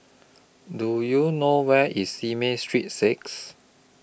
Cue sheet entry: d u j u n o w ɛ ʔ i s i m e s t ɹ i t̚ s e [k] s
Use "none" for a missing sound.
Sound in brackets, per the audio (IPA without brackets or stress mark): k